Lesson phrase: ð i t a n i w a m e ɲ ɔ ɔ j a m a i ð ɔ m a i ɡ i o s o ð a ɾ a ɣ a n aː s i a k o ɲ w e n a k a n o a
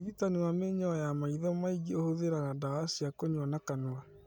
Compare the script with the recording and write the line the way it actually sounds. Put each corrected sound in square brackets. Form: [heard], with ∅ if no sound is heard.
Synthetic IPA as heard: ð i t a n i w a m e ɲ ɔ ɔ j a m a i ð ɔ m a i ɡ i o [h] o ð [e] ɾ a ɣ a [d] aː s i a k o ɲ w [a] n a k a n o a